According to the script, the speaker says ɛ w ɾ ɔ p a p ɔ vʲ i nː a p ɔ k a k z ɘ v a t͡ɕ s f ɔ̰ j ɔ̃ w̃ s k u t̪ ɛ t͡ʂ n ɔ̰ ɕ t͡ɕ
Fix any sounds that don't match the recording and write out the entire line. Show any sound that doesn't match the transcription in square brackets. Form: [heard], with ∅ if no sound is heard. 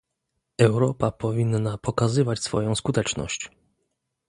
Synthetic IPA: ɛ w ɾ ɔ p a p ɔ vʲ i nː a p ɔ k a [∅] z ɘ v a t͡ɕ s f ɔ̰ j ɔ̃ w̃ s k u t̪ ɛ t͡ʂ n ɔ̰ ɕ t͡ɕ